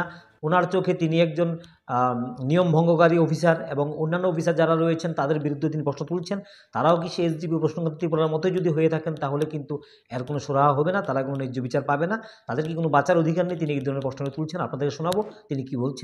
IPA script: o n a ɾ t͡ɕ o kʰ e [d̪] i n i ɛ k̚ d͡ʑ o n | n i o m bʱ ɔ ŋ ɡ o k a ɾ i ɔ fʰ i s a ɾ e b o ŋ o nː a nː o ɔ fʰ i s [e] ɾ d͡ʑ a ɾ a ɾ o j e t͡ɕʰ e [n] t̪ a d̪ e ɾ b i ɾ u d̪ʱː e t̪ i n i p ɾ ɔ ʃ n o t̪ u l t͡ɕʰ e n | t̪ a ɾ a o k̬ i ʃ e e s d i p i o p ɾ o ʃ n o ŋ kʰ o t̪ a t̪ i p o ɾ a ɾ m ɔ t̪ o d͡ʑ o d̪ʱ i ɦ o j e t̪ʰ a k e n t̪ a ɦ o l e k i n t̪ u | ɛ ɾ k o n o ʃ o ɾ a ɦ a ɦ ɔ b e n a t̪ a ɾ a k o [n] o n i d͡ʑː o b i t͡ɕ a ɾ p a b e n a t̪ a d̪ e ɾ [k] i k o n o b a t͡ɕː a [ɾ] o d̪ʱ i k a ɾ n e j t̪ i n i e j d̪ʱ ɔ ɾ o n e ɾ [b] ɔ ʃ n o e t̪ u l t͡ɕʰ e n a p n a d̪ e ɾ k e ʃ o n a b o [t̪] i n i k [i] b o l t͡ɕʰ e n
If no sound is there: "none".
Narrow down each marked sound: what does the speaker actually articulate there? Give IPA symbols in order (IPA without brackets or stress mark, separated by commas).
t̪, a, n, n, k, ɾ, p, t̪, i